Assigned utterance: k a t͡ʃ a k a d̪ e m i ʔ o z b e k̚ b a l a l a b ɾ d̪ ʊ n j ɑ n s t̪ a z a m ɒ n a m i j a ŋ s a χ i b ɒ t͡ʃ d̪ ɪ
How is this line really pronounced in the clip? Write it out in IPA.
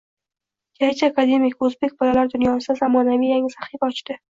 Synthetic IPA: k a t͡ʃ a k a d̪ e m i k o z b e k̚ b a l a l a ɾ d̪ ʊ n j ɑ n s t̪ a z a m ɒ n a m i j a ŋ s a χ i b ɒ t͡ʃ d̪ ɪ